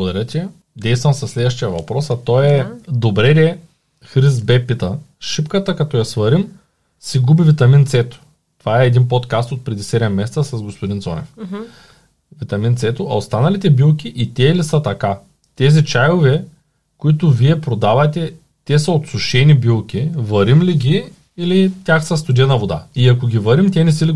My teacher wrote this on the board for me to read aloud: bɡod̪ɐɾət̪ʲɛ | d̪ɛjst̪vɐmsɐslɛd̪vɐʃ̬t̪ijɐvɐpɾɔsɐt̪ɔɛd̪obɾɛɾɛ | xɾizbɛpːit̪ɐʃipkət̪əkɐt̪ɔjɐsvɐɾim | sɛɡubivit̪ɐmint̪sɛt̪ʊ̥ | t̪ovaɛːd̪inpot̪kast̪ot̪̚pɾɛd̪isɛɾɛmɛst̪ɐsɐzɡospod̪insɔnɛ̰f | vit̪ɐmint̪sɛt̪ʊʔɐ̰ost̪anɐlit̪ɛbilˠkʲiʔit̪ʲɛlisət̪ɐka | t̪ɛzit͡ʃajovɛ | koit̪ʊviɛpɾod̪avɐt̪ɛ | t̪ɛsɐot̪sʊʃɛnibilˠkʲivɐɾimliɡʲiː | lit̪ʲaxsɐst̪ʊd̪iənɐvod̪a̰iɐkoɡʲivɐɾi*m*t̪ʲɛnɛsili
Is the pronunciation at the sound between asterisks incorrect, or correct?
correct